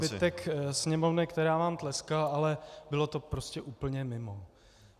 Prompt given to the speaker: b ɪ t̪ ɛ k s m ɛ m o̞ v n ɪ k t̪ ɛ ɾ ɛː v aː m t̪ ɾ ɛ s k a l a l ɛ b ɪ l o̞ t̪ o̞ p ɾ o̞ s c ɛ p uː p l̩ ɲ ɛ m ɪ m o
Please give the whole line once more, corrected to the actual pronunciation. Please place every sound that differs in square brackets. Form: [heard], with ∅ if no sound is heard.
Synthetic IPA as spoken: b ɪ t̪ ɛ k s [ɲ] ɛ m o̞ v n ɪ k t̪ ɛ ɾ [aː] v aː m t̪ [l] ɛ s k a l a l ɛ b ɪ l o̞ t̪ o̞ p ɾ o̞ s c ɛ [ʔ] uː p l̩ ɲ ɛ m ɪ m o